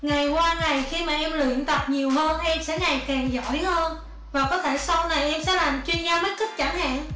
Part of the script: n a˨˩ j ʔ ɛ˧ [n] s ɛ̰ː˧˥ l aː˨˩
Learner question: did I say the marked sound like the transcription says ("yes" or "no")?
no